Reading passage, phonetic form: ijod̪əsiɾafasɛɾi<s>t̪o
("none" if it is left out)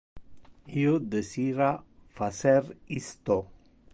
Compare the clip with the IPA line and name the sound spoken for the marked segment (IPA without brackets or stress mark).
s